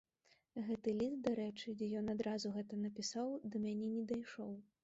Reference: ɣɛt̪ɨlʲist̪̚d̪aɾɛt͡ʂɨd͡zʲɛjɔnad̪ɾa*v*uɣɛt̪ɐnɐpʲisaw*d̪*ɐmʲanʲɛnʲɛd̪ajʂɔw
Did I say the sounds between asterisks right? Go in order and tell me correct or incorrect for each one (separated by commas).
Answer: incorrect, correct